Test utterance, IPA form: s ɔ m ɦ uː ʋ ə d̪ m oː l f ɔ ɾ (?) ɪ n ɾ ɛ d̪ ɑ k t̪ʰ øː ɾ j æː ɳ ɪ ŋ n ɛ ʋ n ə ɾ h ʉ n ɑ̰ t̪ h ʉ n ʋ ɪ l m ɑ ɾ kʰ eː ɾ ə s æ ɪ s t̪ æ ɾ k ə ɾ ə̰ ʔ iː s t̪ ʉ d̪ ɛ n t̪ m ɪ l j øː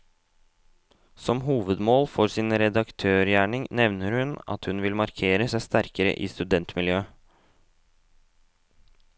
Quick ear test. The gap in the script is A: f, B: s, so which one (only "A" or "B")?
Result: B